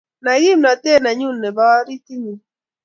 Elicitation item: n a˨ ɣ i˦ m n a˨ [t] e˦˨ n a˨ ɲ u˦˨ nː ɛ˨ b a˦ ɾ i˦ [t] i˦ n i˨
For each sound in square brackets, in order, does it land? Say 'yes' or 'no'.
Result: yes, yes

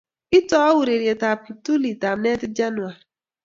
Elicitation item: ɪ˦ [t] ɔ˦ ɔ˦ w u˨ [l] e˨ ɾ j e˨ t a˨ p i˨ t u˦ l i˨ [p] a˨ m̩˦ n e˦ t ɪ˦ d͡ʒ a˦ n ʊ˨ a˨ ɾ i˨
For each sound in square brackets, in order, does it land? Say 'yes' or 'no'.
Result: yes, no, no

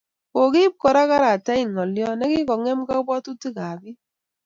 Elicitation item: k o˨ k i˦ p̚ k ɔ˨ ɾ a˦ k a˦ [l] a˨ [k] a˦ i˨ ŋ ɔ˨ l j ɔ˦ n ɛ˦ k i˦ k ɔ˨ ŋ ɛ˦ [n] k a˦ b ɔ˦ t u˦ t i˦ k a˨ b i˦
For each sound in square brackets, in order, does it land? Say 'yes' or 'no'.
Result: no, no, no

